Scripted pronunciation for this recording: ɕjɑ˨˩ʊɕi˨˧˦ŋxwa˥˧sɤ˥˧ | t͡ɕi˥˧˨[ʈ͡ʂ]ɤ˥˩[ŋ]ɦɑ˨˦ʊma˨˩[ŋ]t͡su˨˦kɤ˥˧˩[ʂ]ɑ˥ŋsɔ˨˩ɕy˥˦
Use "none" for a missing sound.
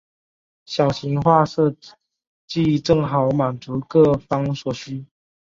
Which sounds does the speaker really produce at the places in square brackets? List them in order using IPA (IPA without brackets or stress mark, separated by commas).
ʈ͡ʂ, ŋ, n, f